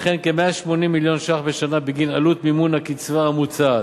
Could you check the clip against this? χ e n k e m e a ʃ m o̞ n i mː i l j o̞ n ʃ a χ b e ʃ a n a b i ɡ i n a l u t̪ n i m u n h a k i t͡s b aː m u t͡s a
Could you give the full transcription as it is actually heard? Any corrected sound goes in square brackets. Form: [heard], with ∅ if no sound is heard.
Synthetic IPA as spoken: χ e n k e m e a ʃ m o̞ n i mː i l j o̞ n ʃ a χ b e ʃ a n a b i ɡ i n a l u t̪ [m] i m u n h a k i t͡s [v] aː m u t͡s a